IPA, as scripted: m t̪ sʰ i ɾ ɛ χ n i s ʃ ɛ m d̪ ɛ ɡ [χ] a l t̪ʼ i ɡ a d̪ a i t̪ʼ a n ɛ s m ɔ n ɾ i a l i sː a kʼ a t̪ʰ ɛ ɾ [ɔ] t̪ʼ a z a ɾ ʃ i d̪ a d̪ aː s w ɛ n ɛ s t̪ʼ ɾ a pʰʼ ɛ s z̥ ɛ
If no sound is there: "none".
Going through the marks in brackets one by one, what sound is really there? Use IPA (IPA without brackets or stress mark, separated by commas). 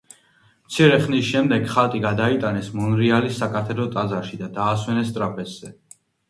χ, ɔ